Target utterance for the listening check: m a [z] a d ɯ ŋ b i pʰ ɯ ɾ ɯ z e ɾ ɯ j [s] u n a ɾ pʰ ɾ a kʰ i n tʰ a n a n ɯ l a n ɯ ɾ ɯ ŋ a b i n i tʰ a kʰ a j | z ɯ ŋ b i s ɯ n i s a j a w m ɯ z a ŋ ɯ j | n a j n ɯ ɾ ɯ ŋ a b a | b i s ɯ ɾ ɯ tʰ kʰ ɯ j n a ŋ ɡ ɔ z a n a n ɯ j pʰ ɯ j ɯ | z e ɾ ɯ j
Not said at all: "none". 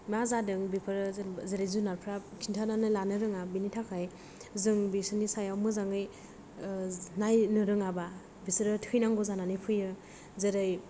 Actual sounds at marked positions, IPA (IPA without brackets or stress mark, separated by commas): z, z